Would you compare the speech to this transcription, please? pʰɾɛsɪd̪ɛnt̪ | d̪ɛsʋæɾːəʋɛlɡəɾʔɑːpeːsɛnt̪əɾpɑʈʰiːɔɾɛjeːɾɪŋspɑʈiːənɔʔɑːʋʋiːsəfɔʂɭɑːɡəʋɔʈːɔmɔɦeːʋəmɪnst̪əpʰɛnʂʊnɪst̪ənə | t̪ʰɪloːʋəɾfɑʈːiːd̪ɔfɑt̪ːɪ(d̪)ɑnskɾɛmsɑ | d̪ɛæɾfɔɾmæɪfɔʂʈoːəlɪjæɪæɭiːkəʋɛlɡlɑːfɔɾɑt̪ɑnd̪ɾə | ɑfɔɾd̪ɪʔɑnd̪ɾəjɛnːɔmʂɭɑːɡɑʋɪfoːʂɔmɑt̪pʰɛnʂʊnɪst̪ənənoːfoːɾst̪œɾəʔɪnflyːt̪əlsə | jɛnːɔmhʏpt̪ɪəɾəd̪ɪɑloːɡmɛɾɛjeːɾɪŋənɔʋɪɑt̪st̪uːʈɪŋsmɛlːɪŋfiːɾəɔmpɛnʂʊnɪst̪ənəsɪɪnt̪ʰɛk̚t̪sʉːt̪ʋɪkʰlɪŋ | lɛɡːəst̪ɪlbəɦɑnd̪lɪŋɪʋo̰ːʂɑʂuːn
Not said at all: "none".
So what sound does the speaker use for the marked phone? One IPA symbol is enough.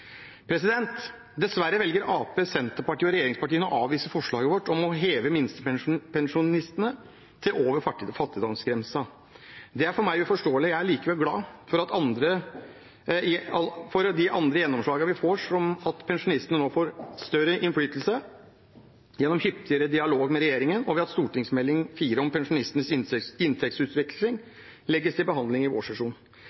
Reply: d̪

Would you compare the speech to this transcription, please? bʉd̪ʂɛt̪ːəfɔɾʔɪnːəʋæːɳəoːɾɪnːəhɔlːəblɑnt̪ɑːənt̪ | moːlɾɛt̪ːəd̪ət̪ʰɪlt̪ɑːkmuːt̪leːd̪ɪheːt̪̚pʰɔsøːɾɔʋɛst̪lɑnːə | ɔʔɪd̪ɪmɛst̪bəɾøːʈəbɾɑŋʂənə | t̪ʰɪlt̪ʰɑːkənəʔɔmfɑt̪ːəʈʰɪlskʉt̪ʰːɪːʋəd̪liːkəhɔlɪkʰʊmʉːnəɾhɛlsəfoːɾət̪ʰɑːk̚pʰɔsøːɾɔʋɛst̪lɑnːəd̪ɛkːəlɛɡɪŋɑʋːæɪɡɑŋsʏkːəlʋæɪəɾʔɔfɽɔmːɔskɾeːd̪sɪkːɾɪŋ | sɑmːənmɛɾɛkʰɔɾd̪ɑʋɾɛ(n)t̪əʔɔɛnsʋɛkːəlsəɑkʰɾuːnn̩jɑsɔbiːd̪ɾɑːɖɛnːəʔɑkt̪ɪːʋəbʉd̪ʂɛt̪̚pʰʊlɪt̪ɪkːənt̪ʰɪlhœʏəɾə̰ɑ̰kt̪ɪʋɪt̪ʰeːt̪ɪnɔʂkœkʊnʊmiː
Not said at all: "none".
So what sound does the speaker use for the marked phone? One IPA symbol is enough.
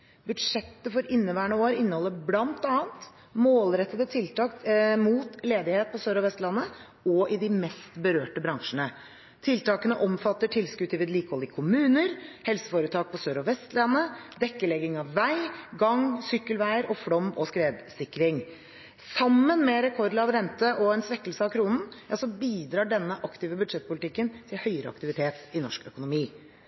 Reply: n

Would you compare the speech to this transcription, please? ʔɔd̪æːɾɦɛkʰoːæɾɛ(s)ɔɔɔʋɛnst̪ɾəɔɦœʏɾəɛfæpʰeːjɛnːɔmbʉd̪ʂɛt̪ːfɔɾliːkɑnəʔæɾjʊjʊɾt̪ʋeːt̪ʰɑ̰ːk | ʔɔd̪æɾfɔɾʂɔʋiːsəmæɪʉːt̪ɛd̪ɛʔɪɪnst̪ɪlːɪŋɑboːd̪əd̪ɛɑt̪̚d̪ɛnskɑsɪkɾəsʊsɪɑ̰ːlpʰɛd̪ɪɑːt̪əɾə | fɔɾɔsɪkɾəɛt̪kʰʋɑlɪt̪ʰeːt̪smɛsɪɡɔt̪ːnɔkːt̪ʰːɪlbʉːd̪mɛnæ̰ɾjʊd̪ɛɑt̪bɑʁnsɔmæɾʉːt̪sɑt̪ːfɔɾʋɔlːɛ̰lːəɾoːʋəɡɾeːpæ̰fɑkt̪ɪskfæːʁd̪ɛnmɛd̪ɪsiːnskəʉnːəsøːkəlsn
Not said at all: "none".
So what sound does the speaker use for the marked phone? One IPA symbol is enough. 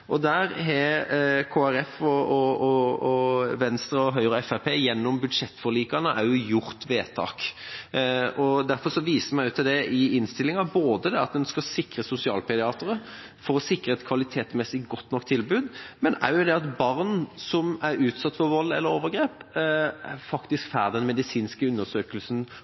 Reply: f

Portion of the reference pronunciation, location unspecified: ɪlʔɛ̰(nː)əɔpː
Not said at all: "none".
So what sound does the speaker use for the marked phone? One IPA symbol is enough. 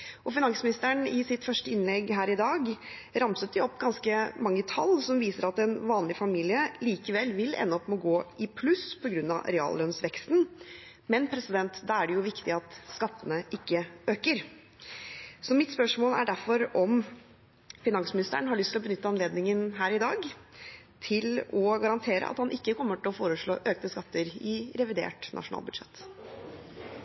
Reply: nː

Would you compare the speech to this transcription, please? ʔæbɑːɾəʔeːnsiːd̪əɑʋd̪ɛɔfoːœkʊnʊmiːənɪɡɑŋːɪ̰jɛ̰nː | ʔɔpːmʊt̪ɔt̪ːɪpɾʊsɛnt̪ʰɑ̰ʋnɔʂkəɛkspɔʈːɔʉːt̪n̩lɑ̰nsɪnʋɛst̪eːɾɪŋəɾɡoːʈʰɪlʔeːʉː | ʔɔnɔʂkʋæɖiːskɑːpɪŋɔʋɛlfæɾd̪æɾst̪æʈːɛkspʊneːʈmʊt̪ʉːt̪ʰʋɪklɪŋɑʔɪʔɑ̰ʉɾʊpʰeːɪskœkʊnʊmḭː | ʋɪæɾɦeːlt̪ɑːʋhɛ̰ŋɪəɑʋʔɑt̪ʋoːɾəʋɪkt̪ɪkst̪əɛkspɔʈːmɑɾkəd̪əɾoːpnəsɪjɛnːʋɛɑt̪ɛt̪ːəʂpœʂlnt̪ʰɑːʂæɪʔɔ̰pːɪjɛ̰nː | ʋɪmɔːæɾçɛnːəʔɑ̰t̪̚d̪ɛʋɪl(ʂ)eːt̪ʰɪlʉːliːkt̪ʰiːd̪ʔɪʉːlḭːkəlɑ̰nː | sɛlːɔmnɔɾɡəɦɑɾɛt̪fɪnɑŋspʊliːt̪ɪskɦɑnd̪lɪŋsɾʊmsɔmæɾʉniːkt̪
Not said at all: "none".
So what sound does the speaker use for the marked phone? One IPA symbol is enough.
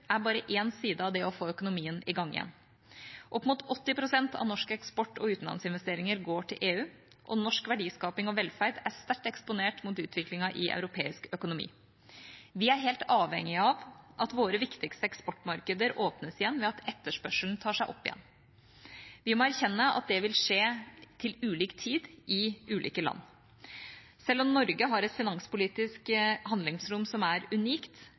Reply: ʂ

